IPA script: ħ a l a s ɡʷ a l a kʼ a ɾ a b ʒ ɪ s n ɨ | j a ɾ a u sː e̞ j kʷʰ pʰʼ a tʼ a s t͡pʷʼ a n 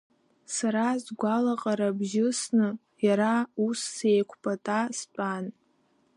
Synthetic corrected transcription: s a ɾ a z ɡʷ a l a qʼ a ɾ a b ʒ ɪ s n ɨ | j a ɾ a u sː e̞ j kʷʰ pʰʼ a tʼ a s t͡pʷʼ a n

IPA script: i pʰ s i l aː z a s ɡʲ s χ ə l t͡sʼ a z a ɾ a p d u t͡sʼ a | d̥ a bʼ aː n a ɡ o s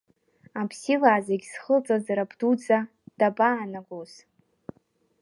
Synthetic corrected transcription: a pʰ s i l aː z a ɡʲ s χ ə l t͡sʼ a z a ɾ a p d u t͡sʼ a | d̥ a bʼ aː n a ɡ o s

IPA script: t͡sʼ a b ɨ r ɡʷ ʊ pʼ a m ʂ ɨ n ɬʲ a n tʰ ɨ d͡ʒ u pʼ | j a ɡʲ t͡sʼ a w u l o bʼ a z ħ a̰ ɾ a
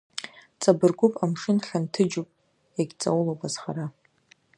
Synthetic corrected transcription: t͡sʼ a b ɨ r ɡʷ ʊ pʼ a m ʂ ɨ n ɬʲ a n tʰ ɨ d͡ʒ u pʼ | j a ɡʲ t͡sʼ a w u l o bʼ a z χ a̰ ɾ a

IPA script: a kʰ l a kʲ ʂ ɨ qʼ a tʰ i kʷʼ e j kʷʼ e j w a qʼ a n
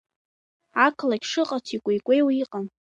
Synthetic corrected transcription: a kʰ l a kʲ ʂ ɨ qʼ a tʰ i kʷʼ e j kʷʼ e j w i qʼ a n

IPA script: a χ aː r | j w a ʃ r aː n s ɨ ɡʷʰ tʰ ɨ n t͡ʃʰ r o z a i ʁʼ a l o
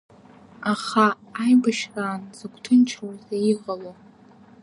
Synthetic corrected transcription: a χ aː | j b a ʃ r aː n z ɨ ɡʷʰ tʰ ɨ n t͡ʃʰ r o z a i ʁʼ a l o

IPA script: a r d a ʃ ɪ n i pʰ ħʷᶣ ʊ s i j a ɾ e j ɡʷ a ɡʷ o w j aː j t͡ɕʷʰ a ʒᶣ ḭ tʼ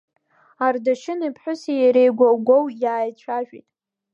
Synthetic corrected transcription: a r d a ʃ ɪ n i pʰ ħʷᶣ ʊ s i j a ɾ e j ɡʷ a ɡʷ o w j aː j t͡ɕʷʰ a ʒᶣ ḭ tʼ

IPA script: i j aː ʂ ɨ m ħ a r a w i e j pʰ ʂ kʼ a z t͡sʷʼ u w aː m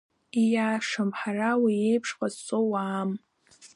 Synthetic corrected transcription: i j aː ʂ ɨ m ħ a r a w i e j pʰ ʂ qʼ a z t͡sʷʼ o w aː m

